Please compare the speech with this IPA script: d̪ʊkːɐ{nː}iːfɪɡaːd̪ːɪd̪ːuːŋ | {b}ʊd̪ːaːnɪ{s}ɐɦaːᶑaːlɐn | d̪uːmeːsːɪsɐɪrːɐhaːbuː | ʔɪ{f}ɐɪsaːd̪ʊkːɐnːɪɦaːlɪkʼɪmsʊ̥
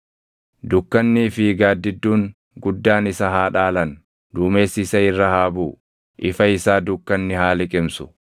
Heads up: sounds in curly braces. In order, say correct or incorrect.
correct, incorrect: ɡ, correct, correct

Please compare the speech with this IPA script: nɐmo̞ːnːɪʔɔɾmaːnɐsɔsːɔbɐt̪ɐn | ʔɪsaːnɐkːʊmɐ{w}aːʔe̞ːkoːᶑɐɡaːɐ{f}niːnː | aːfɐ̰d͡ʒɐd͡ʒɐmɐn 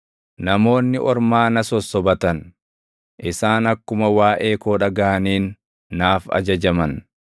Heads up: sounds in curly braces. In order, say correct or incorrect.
correct, incorrect: none

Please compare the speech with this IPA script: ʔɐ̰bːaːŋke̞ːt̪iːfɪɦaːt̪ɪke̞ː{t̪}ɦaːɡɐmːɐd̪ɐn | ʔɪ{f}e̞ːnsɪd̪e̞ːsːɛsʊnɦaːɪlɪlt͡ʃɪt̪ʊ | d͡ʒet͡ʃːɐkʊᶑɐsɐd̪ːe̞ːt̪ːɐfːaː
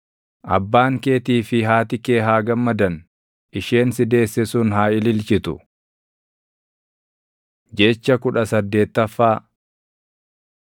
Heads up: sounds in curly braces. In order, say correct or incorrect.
incorrect: none, incorrect: ʃ

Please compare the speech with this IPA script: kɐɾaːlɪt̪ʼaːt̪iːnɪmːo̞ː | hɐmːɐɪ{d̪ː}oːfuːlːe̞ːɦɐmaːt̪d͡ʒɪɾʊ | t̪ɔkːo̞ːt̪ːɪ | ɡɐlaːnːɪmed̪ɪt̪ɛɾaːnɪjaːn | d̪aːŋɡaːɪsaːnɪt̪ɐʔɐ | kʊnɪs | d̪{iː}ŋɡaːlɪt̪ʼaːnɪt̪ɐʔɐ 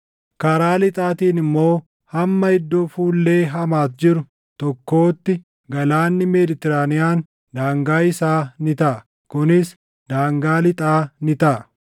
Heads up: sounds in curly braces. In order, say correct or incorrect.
correct, incorrect: aː

